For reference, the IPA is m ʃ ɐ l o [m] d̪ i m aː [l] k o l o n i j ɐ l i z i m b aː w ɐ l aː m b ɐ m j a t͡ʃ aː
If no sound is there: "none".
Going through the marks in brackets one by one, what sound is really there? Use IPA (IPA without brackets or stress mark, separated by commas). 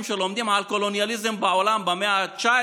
m, l